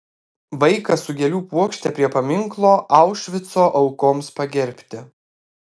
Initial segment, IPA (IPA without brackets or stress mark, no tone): ʋ